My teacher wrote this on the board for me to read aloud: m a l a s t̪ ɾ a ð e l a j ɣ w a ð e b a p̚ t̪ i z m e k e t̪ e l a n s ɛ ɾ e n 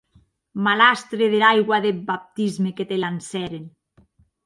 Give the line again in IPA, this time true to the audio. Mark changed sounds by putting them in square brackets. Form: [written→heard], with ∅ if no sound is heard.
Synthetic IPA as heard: m a l a s t̪ ɾ [a→e] ð e l a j ɣ w a ð e b a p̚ t̪ i z m e k e t̪ e l a n s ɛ ɾ e n